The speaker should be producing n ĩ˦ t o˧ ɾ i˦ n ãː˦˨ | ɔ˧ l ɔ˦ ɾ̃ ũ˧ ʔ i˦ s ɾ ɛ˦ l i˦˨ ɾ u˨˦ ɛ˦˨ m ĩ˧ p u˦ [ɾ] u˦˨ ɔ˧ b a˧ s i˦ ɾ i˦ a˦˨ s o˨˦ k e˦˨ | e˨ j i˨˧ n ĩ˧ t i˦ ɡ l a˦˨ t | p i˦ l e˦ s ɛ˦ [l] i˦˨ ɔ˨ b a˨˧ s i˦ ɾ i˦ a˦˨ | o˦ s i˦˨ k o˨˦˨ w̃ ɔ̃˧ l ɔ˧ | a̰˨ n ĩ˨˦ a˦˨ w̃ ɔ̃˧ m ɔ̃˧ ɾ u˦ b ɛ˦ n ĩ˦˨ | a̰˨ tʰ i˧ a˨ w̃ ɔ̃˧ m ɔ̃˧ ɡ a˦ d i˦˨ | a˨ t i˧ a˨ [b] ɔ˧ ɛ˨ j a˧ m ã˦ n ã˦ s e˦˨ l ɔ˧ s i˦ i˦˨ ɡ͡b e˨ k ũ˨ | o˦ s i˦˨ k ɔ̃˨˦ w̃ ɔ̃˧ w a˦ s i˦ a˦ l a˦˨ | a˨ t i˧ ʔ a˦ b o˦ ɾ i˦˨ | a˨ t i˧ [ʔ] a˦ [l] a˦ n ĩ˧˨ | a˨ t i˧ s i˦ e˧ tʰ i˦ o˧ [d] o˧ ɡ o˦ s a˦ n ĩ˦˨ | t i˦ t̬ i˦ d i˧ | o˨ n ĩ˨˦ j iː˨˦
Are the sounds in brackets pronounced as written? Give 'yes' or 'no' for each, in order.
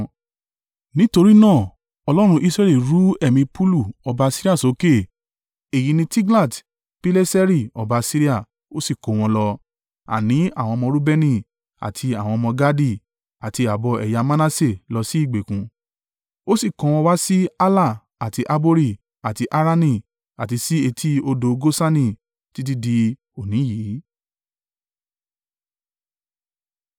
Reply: no, no, yes, yes, no, yes

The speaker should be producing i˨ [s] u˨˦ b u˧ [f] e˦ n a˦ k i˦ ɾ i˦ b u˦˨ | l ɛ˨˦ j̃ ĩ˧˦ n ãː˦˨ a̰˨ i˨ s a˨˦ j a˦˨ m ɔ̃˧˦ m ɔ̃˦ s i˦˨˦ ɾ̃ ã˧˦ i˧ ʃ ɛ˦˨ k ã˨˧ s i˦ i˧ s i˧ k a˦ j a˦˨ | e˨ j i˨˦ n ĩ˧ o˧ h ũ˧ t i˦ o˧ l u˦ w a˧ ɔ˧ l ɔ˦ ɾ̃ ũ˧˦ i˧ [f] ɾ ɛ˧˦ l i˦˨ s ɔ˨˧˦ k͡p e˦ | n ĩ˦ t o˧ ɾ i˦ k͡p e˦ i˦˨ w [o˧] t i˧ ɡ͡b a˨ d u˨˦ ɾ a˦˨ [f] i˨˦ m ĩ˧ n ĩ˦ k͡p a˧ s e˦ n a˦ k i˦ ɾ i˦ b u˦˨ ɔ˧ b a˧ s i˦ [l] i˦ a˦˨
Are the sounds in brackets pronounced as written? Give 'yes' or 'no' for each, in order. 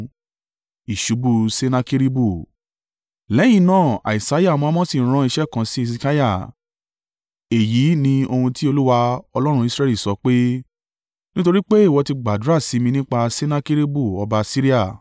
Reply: no, no, no, no, no, no

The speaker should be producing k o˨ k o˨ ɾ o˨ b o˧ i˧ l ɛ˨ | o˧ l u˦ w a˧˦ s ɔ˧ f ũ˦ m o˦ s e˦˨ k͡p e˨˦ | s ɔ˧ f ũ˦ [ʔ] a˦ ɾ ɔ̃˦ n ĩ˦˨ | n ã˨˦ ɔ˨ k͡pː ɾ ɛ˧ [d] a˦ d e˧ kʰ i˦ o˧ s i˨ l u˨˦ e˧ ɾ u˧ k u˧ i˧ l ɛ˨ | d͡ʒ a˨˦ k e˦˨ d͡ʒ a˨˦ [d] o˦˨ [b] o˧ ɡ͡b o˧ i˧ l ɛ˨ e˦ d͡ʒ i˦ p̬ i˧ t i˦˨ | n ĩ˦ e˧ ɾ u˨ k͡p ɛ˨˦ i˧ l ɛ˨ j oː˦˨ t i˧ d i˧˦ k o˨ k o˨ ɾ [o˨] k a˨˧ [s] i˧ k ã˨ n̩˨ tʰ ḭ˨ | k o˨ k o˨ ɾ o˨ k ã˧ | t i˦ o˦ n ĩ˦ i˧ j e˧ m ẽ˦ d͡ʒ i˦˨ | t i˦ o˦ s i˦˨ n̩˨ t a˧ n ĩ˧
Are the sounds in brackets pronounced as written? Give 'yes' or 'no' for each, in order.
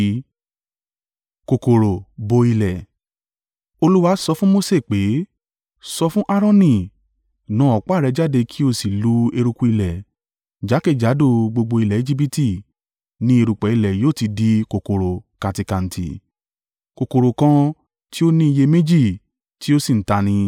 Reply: yes, no, yes, no, yes, no

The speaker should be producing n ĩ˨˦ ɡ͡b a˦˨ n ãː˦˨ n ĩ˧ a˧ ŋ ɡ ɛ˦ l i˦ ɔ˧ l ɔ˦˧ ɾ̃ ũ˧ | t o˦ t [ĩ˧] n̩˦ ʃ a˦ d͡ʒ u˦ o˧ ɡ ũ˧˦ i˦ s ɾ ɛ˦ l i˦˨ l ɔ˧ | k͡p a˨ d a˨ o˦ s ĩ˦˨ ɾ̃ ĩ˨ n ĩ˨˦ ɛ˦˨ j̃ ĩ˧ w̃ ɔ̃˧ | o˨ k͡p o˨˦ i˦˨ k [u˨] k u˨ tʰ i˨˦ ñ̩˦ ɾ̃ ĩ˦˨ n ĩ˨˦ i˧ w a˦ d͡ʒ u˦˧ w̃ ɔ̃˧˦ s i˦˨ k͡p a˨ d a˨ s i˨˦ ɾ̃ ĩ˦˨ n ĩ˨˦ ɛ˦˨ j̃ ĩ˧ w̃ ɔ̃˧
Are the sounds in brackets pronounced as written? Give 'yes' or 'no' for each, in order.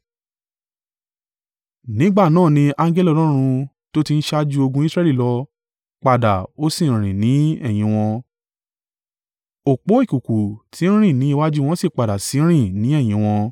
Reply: no, yes

